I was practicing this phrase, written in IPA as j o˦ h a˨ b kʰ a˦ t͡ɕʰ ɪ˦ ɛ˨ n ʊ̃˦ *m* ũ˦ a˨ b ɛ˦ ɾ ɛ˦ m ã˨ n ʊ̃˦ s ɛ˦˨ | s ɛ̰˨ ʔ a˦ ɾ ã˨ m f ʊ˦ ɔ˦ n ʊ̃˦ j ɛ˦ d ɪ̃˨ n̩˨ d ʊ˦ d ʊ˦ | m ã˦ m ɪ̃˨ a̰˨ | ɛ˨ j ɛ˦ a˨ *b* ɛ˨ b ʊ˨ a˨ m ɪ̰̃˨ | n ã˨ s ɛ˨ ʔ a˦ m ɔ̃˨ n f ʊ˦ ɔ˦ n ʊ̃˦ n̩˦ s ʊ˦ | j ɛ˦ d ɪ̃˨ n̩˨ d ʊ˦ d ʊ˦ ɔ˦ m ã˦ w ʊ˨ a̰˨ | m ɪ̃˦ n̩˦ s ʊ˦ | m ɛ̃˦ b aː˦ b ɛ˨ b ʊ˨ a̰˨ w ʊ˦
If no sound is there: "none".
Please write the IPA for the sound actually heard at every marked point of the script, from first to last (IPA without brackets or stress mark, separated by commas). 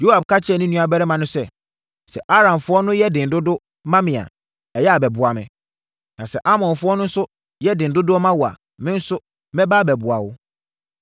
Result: n, b